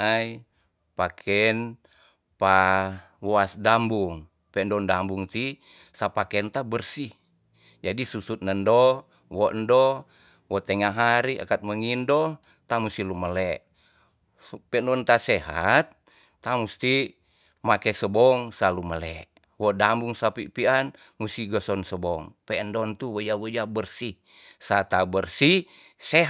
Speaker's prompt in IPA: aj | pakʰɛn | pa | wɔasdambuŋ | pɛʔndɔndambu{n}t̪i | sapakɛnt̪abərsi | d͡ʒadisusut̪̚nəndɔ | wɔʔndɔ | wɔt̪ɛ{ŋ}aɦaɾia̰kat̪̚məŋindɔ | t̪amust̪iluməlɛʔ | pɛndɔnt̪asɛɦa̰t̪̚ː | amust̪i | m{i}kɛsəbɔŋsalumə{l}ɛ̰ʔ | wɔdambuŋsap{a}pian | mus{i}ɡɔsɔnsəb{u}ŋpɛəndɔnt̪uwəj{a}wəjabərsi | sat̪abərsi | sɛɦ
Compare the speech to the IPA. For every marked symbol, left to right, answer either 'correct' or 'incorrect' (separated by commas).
incorrect, correct, incorrect, correct, incorrect, correct, incorrect, correct